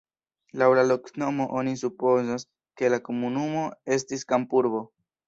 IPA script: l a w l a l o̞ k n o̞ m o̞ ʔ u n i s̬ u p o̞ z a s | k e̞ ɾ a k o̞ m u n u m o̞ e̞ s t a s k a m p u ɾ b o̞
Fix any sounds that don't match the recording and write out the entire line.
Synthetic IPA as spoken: l a w l a l o̞ k n o̞ m o̞ ʔ o n i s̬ u p o̞ z a s | k e̞ l a k o̞ m u n u m o̞ e̞ s t i s k a m p u ɾ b o̞